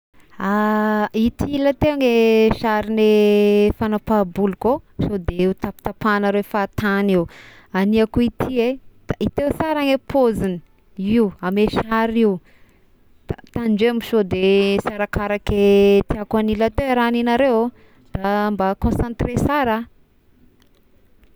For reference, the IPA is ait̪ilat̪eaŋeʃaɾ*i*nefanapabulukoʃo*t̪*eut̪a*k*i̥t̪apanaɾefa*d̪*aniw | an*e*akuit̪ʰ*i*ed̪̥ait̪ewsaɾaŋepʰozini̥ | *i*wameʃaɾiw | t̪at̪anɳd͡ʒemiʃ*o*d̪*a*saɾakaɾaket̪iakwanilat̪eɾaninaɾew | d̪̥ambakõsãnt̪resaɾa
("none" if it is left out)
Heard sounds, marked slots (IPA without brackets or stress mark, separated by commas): i, d̪, p, t̪, i, i, i, o, e